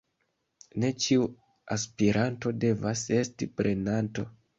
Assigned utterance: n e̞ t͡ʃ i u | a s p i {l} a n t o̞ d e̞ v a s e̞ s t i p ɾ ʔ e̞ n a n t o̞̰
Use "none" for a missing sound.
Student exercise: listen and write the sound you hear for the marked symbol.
ɾ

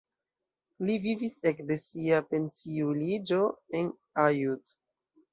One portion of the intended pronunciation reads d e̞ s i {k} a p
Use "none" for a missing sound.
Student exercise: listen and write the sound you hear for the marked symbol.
none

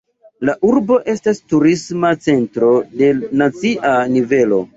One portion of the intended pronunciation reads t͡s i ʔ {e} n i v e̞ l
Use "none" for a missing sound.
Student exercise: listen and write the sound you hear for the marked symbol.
a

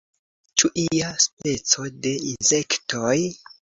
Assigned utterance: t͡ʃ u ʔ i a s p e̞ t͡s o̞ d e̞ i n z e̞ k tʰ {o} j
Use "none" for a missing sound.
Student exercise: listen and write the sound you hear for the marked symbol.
o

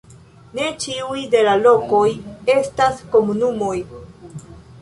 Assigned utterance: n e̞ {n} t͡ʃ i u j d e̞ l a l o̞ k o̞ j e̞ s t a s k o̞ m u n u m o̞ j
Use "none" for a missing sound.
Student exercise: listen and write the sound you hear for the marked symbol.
none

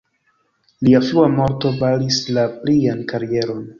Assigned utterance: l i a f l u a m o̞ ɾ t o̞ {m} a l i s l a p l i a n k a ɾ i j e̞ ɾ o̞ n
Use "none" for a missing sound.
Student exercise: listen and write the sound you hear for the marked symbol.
b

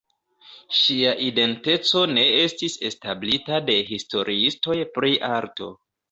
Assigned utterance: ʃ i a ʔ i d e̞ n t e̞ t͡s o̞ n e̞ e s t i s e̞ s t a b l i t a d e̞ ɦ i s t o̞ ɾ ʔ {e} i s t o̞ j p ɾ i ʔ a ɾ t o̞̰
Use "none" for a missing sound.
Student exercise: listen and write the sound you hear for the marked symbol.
i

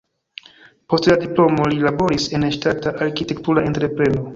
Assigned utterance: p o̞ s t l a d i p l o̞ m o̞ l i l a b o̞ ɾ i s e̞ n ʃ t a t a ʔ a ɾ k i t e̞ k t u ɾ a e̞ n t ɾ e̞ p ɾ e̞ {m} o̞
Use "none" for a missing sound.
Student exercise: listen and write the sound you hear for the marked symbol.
n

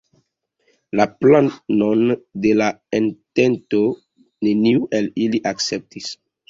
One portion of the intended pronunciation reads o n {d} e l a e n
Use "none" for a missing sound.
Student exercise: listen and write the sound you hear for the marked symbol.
d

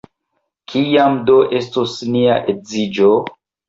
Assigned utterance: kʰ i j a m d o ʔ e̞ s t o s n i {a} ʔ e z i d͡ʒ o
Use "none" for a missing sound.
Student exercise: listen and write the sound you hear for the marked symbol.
a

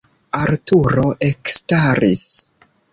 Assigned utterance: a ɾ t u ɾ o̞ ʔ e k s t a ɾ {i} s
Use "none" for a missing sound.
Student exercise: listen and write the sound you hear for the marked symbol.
i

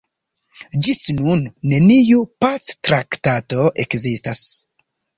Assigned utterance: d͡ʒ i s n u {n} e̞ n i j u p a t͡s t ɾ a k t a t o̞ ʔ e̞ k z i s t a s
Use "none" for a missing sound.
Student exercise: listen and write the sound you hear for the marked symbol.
nː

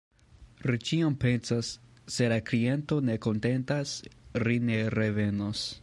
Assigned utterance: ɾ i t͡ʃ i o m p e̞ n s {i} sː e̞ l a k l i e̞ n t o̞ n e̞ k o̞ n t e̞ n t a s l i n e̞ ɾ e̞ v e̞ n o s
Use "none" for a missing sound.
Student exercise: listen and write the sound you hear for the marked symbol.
a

